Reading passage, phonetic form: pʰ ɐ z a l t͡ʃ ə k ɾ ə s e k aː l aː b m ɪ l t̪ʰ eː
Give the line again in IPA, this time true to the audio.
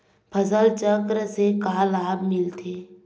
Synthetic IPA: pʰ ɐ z ə l t͡ʃ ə k ɾ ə s e k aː l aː b m ɪ l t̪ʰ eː

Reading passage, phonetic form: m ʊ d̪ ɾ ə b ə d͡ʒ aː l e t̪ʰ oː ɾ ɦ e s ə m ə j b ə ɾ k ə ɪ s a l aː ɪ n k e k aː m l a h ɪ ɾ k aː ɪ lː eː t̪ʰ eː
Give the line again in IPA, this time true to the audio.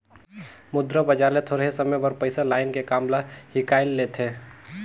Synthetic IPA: m ʊ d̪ ɾ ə b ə d͡ʒ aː l e t̪ʰ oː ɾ ɦ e s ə m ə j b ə ɾ p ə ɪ s a l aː ɪ n k e k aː m l a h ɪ k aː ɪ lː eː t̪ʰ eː

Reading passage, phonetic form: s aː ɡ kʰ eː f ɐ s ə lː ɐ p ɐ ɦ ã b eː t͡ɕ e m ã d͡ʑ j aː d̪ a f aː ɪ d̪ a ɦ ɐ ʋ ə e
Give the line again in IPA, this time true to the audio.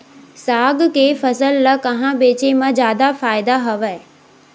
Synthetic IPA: s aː ɡ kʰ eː f ɐ s ə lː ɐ k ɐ ɦ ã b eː t͡ɕ e m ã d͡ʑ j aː d̪ a f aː ɪ d̪ a ɦ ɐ ʋ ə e

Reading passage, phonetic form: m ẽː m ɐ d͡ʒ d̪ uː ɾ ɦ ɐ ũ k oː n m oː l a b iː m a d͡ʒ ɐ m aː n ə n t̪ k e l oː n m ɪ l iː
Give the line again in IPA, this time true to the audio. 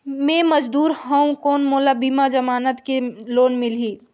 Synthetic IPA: m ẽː m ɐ d͡ʒ d̪ uː ɾ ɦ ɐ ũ k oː n m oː l a b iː m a d͡ʒ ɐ m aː n ə t̪ k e l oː n m ɪ l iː

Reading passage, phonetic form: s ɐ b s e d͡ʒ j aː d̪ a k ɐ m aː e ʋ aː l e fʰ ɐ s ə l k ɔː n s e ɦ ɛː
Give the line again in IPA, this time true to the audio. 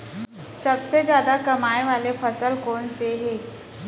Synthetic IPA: s ɐ b s e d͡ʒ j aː d̪ a k ɐ m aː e ʋ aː l e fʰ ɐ s ə l k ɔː n s e ɦ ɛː

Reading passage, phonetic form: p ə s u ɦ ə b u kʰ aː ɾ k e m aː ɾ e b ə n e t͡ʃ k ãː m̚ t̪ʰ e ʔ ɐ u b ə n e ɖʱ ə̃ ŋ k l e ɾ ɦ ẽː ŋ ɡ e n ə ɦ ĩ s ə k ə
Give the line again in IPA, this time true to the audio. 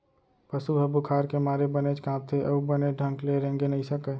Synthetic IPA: p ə s u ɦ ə b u kʰ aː ɾ k e m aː ɾ e b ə n e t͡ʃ k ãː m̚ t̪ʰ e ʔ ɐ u b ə n e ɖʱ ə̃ ŋ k l e ɾ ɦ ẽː ŋ ɡ e n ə ɦ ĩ s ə k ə

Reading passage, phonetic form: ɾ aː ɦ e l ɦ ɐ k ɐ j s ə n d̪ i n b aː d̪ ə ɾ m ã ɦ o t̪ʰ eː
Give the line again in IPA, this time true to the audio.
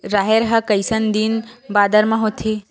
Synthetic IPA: ɾ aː ɦ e ɾ ɦ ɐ k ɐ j s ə n d̪ i n b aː d̪ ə ɾ m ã ɦ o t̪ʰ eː

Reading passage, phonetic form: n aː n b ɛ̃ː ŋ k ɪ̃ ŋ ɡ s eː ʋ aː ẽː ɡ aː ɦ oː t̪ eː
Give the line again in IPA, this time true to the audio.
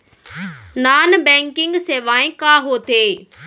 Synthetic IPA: n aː n b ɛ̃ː ŋ k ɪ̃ ŋ ɡ s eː ʋ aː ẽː k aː ɦ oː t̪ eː

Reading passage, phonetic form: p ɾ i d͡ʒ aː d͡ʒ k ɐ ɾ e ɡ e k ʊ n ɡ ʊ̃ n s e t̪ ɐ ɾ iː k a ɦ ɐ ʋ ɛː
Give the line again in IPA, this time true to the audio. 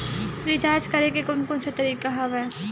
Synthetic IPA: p ɾ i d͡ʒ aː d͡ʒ k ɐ ɾ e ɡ e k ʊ n k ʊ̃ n s e t̪ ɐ ɾ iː k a ɦ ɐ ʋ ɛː

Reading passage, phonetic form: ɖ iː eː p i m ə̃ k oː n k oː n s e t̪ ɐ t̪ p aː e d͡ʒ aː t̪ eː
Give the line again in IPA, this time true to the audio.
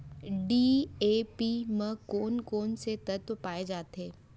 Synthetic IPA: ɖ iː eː p i m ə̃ k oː n k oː n s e t̪ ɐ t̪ p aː e d͡ʒ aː t̪ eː

